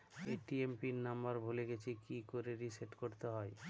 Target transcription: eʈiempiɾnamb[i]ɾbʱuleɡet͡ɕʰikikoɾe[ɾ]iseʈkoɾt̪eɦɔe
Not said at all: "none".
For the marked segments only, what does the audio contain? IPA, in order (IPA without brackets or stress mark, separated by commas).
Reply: a, ɾ